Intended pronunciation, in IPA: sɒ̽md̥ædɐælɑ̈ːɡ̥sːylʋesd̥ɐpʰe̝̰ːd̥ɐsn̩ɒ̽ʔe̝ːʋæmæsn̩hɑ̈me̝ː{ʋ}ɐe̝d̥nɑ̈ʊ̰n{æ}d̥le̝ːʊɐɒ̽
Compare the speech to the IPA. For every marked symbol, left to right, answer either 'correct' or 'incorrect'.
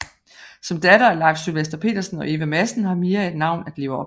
incorrect, correct

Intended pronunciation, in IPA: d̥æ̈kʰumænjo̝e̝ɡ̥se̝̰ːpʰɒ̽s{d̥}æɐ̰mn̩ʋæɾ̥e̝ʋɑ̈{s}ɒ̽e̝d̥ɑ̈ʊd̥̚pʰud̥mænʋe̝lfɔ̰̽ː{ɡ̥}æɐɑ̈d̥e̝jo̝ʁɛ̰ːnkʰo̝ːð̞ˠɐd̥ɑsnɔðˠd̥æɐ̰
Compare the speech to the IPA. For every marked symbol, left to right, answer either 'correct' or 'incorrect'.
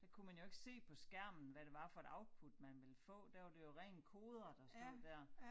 incorrect, incorrect, incorrect

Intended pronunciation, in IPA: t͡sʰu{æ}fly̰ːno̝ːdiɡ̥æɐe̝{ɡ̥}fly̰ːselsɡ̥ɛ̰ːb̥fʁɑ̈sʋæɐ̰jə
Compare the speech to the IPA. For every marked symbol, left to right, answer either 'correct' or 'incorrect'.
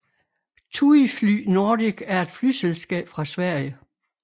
incorrect, incorrect

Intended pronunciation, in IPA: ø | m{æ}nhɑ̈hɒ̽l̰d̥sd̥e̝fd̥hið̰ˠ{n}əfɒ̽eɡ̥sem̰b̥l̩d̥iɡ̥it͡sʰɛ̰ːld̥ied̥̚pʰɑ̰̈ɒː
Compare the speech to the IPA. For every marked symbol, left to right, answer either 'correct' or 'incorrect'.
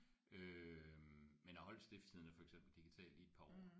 incorrect, correct

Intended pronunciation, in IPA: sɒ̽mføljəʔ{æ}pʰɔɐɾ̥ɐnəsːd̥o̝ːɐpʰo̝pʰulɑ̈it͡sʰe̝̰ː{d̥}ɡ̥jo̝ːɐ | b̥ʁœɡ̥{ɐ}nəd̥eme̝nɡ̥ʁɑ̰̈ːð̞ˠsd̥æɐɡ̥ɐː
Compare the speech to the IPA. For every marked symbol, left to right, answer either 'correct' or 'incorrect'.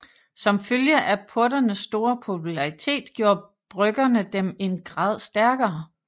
correct, correct, correct

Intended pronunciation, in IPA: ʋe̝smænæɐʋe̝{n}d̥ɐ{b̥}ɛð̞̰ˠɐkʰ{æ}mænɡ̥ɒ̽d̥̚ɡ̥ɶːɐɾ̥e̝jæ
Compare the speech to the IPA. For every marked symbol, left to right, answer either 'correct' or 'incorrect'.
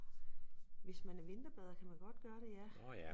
correct, correct, correct

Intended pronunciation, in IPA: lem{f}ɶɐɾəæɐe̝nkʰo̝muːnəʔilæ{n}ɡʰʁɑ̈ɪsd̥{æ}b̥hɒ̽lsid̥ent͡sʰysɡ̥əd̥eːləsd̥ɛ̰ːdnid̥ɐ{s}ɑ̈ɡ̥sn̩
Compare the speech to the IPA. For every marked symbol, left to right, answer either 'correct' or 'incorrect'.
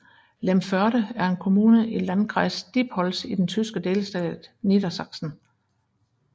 correct, correct, incorrect, correct

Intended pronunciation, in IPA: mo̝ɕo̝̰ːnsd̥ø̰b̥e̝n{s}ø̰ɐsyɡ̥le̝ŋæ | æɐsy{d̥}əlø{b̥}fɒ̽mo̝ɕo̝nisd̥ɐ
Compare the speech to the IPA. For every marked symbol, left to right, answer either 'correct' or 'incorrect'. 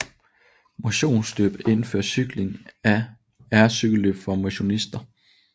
incorrect, incorrect, correct

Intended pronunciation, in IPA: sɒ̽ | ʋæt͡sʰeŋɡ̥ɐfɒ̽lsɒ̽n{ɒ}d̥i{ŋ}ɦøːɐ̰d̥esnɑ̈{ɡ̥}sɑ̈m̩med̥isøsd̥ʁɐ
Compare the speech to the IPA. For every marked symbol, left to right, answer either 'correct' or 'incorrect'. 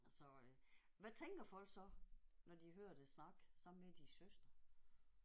correct, incorrect, correct

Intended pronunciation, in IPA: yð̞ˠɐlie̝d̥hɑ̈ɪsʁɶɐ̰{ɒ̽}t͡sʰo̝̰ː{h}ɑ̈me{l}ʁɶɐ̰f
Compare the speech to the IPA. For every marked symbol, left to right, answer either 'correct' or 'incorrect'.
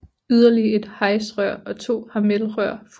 correct, correct, correct

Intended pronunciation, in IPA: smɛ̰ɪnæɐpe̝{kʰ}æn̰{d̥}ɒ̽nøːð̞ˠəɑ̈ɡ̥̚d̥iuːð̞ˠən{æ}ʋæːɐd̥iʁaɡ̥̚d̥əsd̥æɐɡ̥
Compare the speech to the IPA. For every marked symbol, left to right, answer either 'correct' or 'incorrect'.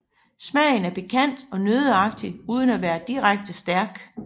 correct, correct, correct

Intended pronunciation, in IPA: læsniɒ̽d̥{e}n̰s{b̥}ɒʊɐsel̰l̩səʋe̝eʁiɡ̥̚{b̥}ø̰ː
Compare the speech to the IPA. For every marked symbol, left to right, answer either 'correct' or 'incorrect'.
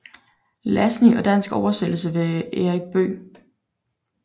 incorrect, incorrect, correct

